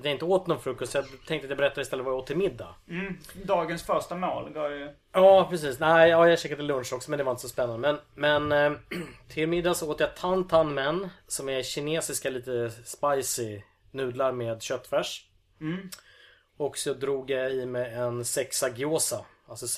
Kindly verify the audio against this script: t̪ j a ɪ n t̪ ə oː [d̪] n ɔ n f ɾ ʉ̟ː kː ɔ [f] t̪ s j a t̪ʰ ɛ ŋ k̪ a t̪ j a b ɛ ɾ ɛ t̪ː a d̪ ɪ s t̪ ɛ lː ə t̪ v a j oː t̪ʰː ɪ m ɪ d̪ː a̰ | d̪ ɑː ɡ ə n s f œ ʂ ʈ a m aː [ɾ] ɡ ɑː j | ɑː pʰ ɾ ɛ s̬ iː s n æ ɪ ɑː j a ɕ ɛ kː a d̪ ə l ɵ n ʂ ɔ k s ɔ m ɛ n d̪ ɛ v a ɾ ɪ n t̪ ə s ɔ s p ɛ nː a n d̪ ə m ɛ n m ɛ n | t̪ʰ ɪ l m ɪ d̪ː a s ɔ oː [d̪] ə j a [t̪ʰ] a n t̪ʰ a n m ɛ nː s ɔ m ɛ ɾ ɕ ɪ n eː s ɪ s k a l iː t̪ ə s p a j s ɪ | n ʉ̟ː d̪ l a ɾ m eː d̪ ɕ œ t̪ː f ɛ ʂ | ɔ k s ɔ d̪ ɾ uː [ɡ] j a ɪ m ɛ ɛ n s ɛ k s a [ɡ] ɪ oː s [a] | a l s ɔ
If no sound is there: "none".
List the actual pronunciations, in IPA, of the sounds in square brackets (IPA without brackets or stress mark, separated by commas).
t̪, s, l, t̪, t̪ʰ, ɡ, ɡ, a